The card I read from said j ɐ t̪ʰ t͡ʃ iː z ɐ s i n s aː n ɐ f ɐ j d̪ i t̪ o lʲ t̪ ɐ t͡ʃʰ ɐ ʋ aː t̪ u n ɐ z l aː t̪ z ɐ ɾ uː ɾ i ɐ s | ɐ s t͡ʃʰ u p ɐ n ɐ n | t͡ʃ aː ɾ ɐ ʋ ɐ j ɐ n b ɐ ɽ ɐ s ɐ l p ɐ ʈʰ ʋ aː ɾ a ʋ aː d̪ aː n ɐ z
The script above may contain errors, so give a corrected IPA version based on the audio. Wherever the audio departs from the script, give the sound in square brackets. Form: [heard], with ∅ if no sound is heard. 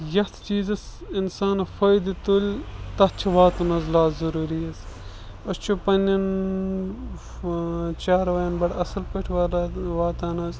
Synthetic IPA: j ɐ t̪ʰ t͡ʃ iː z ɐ s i n s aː n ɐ f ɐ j d̪ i t̪ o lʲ t̪ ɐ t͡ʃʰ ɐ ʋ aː t̪ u n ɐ z l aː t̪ z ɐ ɾ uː ɾ i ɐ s | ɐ s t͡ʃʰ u p ɐ n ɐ n | t͡ʃ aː ɾ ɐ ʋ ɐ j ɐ n b ɐ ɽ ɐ s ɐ l p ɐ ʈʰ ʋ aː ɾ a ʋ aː [t̪] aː n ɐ z

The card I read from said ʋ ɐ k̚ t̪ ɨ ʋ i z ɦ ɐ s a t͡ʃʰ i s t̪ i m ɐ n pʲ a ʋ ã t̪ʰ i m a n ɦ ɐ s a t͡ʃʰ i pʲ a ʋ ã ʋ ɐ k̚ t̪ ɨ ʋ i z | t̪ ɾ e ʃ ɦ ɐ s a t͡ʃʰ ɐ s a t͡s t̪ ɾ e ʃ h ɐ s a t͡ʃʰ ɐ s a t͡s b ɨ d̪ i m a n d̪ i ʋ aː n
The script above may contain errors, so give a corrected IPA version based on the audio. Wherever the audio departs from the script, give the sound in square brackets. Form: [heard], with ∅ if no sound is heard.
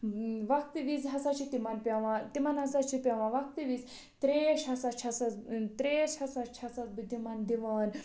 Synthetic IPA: ʋ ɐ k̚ t̪ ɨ ʋ i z ɦ ɐ s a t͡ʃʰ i [∅] t̪ i m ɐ n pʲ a ʋ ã [t̪] i m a n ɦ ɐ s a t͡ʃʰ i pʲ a ʋ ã ʋ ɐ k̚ t̪ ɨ ʋ i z | t̪ ɾ e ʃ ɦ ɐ s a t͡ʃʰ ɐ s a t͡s t̪ ɾ e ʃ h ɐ s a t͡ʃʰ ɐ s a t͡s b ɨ d̪ i m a n d̪ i ʋ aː n

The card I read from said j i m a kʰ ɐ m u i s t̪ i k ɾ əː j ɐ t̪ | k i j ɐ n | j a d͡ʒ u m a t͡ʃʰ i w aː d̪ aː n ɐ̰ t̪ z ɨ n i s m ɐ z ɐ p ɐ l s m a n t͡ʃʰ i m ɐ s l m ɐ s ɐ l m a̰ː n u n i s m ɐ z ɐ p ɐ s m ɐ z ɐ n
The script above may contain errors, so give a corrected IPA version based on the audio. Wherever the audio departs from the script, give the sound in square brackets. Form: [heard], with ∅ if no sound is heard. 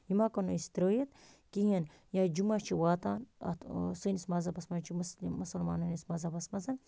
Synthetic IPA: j i m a [k] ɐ [n] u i s t̪ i [∅] ɾ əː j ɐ t̪ | k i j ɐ n | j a d͡ʒ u m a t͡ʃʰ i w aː [t̪] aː n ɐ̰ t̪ [s] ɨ n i s m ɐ z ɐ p ɐ [∅] s m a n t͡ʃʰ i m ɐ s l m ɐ s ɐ l m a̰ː n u n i s m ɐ z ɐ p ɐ s m ɐ z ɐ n

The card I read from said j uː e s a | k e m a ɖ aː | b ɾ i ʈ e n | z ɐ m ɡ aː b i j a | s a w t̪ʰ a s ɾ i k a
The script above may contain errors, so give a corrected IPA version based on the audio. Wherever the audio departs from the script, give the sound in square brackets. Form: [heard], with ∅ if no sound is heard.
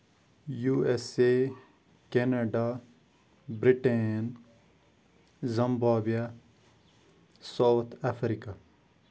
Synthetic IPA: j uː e s [e] | k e [n] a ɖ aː | b ɾ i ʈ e n | z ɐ m [b] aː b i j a | s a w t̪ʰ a [f] ɾ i k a

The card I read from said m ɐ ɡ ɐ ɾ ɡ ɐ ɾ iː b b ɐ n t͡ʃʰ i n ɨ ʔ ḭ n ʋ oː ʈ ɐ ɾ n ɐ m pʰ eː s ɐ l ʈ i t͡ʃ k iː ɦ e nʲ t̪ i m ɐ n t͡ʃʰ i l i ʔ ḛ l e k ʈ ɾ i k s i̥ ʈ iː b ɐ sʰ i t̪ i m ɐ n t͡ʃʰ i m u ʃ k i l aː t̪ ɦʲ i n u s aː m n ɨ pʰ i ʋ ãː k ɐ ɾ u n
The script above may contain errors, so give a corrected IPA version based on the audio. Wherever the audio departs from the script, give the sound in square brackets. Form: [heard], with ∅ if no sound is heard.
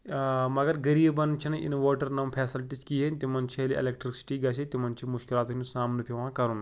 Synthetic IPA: m ɐ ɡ ɐ ɾ ɡ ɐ ɾ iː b b ɐ n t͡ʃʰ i n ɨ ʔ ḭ n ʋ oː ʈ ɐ ɾ n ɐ m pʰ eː s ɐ l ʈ i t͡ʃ k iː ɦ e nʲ t̪ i m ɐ n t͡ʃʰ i l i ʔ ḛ l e k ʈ ɾ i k s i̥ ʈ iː [ɡ] ɐ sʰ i t̪ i m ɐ n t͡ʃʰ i m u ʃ k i l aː t̪ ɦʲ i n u s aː m n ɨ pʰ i ʋ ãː k ɐ ɾ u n

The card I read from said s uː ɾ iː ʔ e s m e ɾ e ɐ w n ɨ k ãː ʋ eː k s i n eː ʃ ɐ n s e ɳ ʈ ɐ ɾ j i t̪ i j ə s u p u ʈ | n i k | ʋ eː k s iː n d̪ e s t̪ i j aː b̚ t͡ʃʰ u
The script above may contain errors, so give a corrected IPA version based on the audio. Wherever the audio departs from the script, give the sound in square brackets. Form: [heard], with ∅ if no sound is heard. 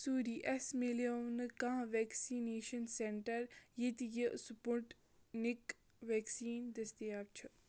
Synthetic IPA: s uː ɾ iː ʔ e s m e [l] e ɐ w n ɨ k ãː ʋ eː k s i n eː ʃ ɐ n s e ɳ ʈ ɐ ɾ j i t̪ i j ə s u p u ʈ | n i k | ʋ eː k s iː n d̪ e s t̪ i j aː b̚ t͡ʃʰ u

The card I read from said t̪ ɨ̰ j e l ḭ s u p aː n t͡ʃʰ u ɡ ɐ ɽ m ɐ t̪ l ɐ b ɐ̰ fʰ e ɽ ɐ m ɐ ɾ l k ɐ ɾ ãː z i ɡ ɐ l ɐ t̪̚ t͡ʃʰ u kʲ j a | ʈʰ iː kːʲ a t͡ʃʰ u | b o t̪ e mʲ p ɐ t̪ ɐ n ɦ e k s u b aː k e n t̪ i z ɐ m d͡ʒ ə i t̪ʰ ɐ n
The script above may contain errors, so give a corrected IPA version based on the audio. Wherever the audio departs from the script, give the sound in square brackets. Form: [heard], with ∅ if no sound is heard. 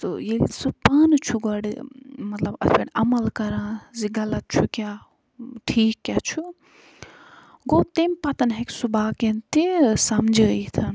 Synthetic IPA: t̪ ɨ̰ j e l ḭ s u p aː n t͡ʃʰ u ɡ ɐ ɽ m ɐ t̪ l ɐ b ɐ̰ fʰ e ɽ ɐ m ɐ [∅] l k ɐ ɾ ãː z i ɡ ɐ l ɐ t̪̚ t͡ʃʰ u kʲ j a | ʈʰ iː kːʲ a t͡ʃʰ u | [ɡ] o t̪ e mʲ p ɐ t̪ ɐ n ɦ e k s u b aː k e n t̪ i [s] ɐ m d͡ʒ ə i t̪ʰ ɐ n

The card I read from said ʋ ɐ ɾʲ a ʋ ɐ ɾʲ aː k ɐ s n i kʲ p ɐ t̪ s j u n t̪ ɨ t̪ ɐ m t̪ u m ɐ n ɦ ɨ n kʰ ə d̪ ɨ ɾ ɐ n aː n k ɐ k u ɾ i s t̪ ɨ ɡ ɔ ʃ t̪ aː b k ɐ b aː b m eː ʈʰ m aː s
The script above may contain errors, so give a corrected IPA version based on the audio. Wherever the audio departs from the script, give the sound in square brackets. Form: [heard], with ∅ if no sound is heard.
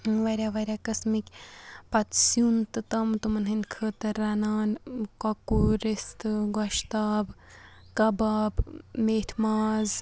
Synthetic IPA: ʋ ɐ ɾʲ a ʋ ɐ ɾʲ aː k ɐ s [m] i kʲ p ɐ t̪ s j u n t̪ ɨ t̪ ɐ m t̪ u m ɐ n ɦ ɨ n kʰ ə [t̪] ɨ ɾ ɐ n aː n k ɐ k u ɾ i s t̪ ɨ ɡ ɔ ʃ t̪ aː b k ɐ b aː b m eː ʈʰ m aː [z]

